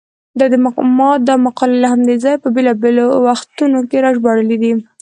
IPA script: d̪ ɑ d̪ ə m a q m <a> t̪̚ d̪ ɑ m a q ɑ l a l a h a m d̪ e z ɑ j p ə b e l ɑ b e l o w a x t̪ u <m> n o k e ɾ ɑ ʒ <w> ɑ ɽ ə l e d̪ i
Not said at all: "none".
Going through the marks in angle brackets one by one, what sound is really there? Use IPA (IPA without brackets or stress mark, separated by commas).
ɑ, none, b